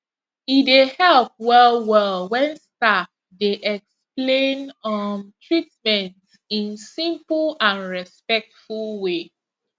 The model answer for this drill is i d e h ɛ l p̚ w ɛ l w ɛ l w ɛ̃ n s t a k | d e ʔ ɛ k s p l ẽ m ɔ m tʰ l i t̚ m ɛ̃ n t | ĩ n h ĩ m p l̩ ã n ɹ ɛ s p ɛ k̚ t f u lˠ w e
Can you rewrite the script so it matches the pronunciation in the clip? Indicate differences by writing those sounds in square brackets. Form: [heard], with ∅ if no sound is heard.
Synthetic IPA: i d e h ɛ l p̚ w ɛ l w ɛ l w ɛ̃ n s t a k | d e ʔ ɛ k s p l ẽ [n] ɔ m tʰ [ɹ] i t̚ m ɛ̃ n t | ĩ n [s] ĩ m p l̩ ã n ɹ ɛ s p ɛ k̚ t f u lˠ w e

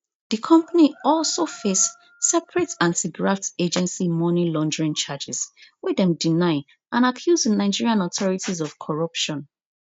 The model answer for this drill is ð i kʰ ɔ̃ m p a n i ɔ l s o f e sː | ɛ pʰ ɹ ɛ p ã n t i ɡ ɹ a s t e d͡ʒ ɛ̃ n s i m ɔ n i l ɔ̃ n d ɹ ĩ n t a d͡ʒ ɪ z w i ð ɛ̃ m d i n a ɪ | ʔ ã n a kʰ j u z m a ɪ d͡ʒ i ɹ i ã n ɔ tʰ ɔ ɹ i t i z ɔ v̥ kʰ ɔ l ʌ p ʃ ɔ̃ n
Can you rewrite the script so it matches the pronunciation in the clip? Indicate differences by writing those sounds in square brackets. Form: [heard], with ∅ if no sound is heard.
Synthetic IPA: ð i kʰ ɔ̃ m p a n i ɔ l s o f e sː | ɛ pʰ ɹ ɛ [t] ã n t i ɡ ɹ a [f] t e d͡ʒ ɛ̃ n s i m ɔ n i l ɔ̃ n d ɹ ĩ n [t͡ʃ] a d͡ʒ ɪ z w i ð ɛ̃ m d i n a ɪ | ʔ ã n a kʰ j u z [n] a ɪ d͡ʒ i ɹ i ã n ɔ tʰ ɔ ɹ i t i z ɔ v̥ kʰ ɔ [ɹ] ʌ p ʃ ɔ̃ n

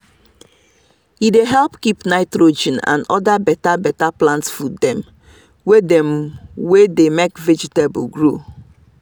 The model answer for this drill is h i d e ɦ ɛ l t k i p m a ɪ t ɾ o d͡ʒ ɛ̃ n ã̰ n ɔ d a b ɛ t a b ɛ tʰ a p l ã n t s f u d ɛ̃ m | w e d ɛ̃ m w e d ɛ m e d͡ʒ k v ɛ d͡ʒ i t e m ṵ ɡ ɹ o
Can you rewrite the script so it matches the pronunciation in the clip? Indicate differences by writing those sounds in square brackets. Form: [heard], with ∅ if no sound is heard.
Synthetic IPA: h i d e ɦ ɛ l [p] k i p [n] a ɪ t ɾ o d͡ʒ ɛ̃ n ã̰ n ɔ d a b ɛ t a b ɛ [t] a p l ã n t s f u d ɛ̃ m | w e d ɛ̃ m w e d [e] m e [∅] k v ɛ d͡ʒ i t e [b] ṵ ɡ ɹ o

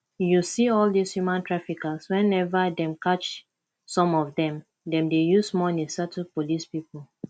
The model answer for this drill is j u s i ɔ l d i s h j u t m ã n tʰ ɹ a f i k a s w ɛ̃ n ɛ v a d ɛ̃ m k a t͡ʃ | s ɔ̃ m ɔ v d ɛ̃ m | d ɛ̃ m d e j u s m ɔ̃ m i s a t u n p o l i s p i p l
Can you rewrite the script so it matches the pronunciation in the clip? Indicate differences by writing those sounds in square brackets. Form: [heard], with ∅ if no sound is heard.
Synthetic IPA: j u s i ɔ l d i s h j u [∅] m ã n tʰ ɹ a f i k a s w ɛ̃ n ɛ v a d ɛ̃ m k a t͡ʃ | s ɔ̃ m ɔ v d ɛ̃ m | d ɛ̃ m d e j u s m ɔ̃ [n] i s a t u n p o l i s p i p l

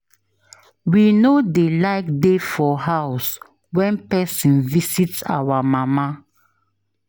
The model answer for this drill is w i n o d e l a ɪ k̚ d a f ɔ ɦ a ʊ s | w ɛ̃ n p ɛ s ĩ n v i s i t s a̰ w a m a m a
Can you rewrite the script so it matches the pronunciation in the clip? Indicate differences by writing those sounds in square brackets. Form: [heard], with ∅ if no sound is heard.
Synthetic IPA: w i n o d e l a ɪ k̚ d [e] f ɔ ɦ a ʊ s | w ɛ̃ n p ɛ s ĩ n v i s i t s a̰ w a m a m a

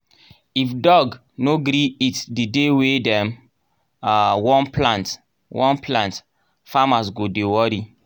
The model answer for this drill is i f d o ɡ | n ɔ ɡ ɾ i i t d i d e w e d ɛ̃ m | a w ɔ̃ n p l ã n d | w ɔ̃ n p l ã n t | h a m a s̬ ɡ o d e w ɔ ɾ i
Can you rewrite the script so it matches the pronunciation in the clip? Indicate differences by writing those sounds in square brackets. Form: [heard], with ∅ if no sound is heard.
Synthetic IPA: i f d [ɔ] ɡ | n [o] ɡ ɾ i i t d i d e w e d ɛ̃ m | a w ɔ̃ n p l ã n [t] | w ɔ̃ n p l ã n t | [f] a m a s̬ ɡ o d e w ɔ ɾ i

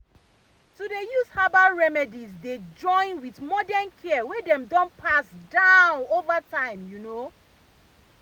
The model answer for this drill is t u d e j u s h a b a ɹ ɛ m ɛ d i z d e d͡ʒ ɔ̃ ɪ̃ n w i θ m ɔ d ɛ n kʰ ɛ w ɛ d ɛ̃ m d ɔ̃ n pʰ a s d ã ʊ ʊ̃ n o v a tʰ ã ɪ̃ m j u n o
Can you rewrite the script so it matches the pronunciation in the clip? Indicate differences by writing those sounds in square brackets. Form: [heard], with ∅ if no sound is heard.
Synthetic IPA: t u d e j u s h a b a ɹ ɛ m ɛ d i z d e d͡ʒ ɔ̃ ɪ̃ n w i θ m ɔ d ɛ n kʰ ɛ w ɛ d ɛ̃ m d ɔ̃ n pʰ a s d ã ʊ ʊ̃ n o v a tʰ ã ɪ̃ m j u n o

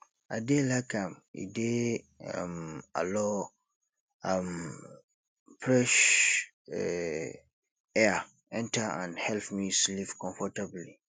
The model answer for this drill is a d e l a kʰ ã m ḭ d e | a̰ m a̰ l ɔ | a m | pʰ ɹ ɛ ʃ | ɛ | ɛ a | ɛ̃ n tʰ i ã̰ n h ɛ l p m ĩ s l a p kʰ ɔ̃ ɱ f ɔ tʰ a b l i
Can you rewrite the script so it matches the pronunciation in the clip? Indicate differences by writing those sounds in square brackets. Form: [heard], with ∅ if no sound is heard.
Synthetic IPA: a d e l a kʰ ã m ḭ d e | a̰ m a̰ l ɔ | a m | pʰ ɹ ɛ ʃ | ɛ | ɛ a | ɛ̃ n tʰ [a] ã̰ n h ɛ l p m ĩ s l [i] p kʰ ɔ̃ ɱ f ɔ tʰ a b l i

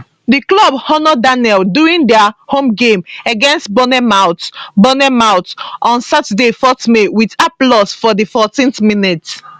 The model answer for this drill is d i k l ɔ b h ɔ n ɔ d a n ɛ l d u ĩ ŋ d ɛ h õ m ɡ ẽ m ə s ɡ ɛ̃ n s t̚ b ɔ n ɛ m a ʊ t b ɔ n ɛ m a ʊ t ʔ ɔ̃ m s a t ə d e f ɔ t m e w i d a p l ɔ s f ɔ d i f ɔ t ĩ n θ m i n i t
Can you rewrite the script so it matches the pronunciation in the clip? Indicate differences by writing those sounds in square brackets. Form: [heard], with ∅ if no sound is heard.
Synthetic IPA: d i k l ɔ b h ɔ n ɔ d a n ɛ l d u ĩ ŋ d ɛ h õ m ɡ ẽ m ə [∅] ɡ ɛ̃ n s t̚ b ɔ n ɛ m a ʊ t b ɔ n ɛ m a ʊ t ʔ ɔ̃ [n] s a t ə d e f ɔ t m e w i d a p l ɔ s f ɔ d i f ɔ t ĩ n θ m i n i t

